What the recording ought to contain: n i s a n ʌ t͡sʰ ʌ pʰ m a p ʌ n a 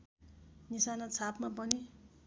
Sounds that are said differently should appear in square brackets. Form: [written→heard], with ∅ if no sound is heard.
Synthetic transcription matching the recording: n i s a n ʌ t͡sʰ [ʌ→a] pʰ m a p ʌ n [a→i]